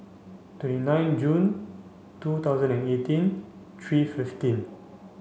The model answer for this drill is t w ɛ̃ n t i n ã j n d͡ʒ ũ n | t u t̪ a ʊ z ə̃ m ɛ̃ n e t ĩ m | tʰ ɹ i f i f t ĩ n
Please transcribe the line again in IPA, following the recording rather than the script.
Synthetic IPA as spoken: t w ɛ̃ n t i n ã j n d͡ʒ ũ n | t u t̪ a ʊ z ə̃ n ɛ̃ n e t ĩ n | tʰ ɹ i f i f t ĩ n